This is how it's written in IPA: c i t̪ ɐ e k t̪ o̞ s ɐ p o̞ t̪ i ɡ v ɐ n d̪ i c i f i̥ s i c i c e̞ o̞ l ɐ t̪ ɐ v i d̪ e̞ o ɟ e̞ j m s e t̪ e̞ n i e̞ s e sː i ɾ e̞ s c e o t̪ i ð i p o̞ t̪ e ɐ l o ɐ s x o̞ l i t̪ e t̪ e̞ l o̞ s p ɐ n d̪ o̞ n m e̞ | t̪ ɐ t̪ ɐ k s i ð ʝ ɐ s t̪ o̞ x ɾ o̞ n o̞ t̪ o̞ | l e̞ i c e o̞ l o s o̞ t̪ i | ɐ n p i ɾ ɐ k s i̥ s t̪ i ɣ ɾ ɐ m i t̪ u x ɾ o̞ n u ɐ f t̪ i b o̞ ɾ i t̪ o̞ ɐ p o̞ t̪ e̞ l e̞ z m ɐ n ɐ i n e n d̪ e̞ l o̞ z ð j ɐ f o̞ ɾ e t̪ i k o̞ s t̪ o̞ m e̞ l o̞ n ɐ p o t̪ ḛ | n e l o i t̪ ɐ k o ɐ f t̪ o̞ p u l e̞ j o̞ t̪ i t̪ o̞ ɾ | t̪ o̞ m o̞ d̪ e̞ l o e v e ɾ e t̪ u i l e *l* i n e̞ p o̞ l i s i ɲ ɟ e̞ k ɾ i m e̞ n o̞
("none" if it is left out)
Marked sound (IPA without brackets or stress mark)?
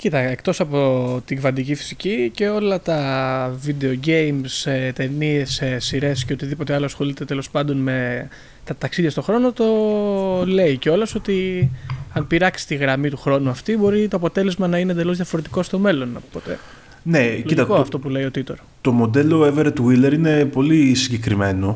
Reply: ɾ